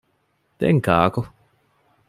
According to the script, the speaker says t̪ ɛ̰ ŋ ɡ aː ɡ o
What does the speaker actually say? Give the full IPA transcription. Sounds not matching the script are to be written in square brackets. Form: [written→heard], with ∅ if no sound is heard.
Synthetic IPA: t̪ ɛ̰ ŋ [ɡ→k] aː [ɡ→k] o